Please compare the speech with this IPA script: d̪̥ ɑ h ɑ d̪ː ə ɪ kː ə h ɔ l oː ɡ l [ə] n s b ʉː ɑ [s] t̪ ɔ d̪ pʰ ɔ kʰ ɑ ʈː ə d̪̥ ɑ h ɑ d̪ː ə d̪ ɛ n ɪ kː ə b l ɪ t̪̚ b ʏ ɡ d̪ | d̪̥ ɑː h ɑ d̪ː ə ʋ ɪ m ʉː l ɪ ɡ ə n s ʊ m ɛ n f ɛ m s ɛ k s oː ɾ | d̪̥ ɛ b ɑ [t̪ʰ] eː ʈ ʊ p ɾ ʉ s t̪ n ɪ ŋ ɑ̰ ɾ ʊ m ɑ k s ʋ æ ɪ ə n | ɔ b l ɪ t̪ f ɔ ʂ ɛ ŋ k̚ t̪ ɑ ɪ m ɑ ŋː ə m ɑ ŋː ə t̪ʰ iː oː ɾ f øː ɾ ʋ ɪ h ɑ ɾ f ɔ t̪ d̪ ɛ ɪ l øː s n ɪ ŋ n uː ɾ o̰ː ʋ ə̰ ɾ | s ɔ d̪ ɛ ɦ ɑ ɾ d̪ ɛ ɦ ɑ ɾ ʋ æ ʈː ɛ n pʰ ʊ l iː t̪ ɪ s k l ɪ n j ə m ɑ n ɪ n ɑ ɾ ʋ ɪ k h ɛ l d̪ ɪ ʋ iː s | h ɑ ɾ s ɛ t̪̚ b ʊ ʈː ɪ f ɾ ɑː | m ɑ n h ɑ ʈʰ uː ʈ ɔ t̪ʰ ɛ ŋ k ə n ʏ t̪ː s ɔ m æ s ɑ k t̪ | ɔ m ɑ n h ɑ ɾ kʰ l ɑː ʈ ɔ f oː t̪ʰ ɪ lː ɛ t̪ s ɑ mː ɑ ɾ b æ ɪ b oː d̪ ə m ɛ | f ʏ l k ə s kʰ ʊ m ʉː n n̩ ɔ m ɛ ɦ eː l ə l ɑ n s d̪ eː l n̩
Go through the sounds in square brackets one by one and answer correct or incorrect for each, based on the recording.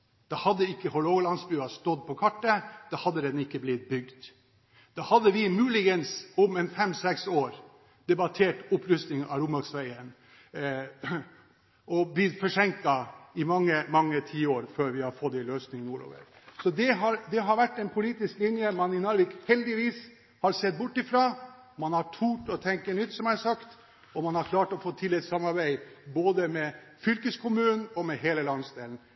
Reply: incorrect: ɑ, correct, correct

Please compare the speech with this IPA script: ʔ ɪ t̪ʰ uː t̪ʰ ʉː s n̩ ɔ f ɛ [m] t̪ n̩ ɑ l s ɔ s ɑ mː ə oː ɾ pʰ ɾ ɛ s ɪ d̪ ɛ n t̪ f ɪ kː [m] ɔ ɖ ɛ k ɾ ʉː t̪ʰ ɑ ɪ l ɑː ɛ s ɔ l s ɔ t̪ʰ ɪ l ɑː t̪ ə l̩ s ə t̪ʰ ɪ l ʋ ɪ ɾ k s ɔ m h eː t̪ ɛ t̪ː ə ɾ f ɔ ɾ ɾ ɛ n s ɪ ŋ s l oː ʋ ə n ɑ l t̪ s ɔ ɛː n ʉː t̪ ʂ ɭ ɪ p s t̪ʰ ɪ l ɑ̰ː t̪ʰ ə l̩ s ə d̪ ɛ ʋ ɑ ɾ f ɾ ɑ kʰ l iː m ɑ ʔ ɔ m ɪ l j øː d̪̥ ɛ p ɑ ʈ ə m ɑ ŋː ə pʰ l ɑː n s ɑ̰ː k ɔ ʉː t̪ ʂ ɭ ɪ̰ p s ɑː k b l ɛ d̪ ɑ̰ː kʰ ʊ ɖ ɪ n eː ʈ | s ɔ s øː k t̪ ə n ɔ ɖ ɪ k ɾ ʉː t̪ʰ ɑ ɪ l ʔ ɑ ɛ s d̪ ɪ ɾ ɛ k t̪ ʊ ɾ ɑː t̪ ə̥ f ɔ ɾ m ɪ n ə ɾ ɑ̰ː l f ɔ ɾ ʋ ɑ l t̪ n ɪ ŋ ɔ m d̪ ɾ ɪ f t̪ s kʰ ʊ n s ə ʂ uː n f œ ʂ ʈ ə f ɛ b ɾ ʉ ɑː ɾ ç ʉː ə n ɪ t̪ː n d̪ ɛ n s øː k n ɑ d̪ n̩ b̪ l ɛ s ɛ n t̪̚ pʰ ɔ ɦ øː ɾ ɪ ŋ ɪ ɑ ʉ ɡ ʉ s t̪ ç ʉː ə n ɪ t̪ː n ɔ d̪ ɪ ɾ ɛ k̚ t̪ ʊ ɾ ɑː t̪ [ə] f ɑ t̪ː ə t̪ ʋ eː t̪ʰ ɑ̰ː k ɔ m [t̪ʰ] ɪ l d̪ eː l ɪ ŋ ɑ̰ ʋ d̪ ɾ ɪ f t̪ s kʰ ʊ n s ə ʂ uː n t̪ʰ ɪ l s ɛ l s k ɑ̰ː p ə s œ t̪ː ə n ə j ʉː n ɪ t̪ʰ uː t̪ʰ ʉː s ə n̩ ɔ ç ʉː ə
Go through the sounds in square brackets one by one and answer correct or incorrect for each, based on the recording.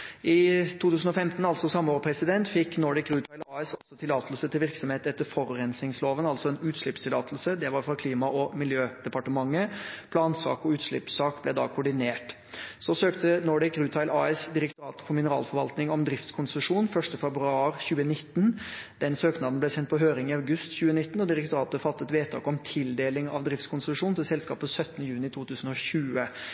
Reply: correct, incorrect: n, correct, correct

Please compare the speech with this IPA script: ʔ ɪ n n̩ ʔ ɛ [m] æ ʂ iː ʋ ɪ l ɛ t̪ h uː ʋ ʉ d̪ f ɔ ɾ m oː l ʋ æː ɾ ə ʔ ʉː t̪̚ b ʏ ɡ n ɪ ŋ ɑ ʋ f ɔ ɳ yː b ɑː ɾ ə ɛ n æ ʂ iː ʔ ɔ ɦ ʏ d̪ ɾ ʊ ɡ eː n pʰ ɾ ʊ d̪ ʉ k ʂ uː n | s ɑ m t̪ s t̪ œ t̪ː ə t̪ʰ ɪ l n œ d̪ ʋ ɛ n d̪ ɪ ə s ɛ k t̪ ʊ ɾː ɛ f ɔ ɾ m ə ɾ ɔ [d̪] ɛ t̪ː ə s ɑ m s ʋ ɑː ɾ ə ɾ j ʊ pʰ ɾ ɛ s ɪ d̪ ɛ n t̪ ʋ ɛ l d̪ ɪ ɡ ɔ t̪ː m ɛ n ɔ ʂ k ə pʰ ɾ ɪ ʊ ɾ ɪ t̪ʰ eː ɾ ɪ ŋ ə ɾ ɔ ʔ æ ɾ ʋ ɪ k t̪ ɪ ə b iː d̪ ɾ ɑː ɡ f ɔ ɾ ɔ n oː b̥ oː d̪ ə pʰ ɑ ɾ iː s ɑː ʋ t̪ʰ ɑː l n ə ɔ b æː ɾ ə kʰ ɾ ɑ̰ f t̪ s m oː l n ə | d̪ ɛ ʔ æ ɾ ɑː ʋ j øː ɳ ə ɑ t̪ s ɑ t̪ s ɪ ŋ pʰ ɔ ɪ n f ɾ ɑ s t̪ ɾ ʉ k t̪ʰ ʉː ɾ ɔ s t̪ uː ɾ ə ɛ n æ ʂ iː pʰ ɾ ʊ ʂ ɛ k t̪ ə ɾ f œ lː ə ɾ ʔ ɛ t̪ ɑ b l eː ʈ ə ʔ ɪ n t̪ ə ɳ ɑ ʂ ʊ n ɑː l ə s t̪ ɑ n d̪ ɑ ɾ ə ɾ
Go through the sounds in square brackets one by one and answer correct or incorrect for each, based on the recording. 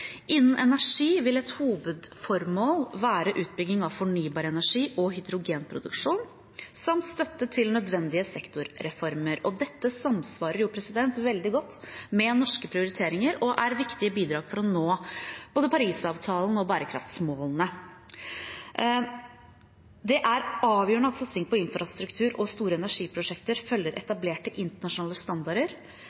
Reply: incorrect: n, correct

